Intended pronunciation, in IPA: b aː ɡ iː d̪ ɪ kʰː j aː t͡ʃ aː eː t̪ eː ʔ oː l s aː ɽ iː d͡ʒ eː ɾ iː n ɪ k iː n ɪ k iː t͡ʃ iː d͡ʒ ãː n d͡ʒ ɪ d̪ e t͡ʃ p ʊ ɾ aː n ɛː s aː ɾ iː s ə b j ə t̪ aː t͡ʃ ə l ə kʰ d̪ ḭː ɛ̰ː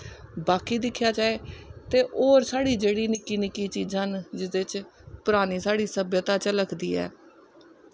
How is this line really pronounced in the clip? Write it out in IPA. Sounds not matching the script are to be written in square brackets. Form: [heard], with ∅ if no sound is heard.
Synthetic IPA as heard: b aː [k] iː d̪ ɪ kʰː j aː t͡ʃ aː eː t̪ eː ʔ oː [ɾ] s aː ɽ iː d͡ʒ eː [ɽ] iː n ɪ k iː n ɪ k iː t͡ʃ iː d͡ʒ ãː n d͡ʒ ɪ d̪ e t͡ʃ p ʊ ɾ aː n [iː] s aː [ɽ] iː s ə b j ə t̪ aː t͡ʃ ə l ə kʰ d̪ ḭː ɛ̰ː